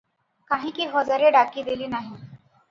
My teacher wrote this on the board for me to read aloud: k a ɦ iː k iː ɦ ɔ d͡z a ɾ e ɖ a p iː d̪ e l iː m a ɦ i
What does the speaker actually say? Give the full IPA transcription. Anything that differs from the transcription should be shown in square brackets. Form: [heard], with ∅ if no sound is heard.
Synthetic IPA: k a ɦ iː k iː ɦ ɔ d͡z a ɾ e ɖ a [k] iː d̪ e l iː [n] a ɦ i